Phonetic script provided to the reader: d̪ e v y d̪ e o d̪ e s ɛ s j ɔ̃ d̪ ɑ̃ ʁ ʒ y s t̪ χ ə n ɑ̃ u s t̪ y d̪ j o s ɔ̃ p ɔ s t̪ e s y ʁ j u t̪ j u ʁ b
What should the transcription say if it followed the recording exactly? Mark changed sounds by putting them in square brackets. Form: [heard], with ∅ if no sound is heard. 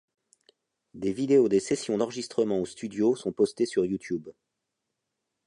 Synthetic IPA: d̪ e v [i] d̪ e o d̪ e s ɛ s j ɔ̃ d̪ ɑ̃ ʁ ʒ [i] s t̪ χ ə [m] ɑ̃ [o] s t̪ y d̪ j o s ɔ̃ p ɔ s t̪ e s y ʁ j u t̪ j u [∅] b